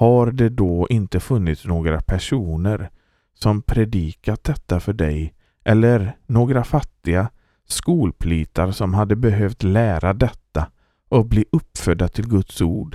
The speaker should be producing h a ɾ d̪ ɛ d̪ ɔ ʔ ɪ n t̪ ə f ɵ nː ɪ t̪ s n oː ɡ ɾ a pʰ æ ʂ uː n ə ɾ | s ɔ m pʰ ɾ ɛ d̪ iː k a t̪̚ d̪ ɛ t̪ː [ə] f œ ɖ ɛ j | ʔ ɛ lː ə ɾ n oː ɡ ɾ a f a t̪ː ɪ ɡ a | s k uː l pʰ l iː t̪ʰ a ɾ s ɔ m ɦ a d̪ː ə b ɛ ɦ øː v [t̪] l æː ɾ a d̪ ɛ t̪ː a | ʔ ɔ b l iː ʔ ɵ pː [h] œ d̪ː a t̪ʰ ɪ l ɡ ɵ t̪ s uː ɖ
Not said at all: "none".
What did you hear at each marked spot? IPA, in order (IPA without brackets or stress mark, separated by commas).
a, t̪, f